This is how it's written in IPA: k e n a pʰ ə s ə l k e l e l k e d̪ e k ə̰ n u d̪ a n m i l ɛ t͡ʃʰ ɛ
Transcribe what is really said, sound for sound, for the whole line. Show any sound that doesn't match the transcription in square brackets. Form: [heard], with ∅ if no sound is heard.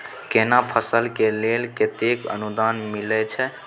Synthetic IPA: k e n a pʰ ə s ə l k e l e l k e [t̪] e k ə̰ n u d̪ a n m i l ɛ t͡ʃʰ ɛ